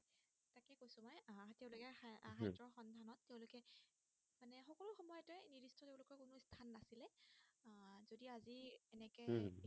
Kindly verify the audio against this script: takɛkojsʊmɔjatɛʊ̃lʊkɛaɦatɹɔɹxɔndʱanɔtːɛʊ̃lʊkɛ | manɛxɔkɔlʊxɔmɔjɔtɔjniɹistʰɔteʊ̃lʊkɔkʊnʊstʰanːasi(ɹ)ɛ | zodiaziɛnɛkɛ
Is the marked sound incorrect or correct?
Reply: incorrect: l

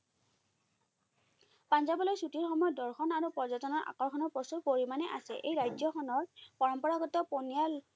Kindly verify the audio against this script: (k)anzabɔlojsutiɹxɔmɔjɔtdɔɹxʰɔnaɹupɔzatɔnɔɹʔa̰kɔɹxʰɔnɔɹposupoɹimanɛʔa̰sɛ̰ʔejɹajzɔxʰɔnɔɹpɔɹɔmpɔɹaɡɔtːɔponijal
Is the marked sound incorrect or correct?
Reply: incorrect: p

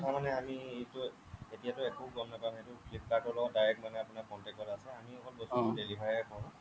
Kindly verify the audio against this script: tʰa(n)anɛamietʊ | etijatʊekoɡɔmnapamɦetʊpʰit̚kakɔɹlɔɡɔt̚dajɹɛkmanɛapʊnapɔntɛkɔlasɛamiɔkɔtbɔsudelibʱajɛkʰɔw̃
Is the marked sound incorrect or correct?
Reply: incorrect: m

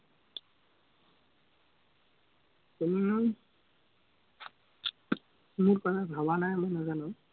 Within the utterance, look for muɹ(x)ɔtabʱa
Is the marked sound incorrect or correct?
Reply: incorrect: k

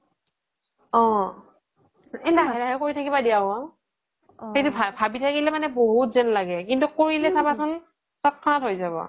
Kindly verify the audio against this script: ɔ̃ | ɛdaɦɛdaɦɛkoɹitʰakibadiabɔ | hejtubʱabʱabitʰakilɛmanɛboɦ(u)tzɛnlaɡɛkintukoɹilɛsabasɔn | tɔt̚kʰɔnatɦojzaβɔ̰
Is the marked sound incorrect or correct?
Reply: correct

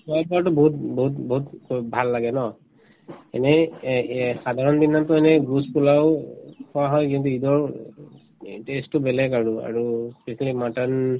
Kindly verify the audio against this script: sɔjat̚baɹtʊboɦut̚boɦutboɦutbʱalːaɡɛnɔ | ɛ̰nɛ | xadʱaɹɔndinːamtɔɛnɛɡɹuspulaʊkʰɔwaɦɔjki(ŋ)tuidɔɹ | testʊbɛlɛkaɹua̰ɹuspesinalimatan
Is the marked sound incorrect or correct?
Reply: incorrect: n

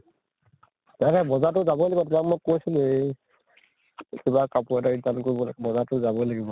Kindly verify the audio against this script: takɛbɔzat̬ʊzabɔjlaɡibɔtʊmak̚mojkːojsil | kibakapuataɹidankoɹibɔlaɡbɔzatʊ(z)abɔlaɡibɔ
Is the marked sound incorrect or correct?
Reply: correct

